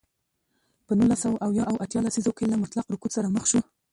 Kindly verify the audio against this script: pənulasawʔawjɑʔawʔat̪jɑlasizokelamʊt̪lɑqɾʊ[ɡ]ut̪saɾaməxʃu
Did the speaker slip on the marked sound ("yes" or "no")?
yes